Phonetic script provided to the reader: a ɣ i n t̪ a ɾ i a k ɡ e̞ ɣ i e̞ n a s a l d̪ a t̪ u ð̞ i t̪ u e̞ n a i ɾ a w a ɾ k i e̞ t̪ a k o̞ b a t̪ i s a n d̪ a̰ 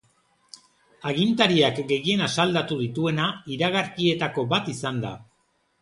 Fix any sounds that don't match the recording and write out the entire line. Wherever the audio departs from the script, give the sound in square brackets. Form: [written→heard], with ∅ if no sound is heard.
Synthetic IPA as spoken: a ɣ i n t̪ a ɾ i a k ɡ e̞ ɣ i e̞ n a s a l d̪ a t̪ u ð̞ i t̪ u e̞ n a i ɾ a [w→ɣ] a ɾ k i e̞ t̪ a k o̞ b a t̪ i s a n d̪ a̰